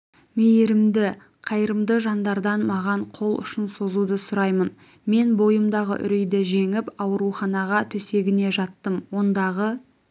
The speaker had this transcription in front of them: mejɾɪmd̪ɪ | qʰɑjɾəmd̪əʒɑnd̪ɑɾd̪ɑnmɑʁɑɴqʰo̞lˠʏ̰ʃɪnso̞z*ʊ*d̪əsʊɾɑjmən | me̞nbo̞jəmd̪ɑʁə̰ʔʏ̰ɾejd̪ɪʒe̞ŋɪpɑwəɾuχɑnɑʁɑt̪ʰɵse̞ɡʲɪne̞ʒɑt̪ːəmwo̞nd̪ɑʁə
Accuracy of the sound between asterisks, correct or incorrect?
incorrect: u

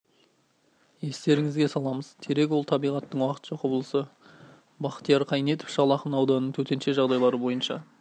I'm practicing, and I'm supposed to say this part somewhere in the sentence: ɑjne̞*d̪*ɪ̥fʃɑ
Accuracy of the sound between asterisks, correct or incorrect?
incorrect: t̪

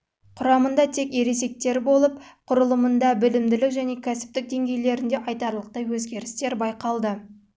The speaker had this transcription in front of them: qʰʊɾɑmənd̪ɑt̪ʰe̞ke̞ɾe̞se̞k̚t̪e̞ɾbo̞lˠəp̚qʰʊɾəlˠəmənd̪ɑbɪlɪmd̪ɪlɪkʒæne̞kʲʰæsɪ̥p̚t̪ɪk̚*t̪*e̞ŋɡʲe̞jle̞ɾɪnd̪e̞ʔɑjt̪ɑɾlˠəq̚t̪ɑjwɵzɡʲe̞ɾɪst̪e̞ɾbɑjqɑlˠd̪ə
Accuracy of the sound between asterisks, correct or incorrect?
incorrect: d̪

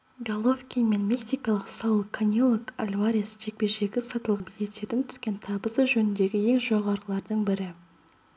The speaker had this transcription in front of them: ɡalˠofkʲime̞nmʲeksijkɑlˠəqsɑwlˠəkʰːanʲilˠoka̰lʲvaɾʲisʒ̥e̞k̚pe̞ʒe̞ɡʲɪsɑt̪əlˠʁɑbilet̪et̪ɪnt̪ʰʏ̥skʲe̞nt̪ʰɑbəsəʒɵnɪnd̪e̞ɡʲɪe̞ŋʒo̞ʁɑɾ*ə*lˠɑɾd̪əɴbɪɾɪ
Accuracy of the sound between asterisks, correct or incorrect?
correct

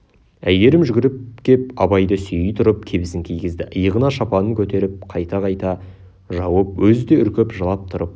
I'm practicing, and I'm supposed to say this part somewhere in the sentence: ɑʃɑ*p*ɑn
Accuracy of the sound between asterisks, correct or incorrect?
correct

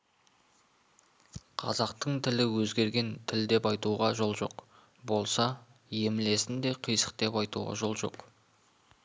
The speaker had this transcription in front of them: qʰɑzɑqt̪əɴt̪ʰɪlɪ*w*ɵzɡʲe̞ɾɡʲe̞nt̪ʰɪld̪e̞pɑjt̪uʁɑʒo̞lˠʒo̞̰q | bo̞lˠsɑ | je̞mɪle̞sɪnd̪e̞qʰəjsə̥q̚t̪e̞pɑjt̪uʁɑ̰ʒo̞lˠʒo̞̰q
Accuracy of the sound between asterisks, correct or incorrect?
correct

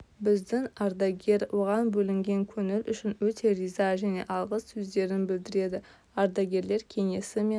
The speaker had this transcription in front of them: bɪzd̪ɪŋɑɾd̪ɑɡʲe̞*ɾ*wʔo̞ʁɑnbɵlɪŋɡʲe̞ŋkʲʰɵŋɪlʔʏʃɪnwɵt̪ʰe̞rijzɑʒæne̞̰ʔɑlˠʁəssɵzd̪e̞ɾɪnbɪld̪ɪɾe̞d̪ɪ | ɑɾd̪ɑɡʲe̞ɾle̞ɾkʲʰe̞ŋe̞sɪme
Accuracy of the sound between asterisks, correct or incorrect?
correct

